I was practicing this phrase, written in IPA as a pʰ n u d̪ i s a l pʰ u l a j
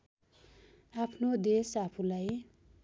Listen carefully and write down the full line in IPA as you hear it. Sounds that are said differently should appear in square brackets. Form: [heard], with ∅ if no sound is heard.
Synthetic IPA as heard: a pʰ n [o] d̪ [e] s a [∅] pʰ u l a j

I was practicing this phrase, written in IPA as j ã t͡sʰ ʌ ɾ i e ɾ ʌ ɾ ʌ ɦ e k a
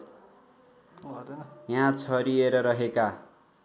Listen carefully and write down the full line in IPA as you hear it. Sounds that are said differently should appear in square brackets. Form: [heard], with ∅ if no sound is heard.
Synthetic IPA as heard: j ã t͡sʰ ʌ ɾ i e ɾ ʌ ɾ ʌ ɦ e k a

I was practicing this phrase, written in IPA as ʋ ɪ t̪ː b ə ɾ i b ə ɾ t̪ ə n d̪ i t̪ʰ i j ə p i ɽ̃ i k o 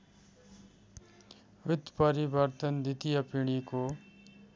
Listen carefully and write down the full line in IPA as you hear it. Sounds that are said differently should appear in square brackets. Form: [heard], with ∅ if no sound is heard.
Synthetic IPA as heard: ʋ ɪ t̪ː [p] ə ɾ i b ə ɾ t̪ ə n d̪ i [t̪] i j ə p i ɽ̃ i k o

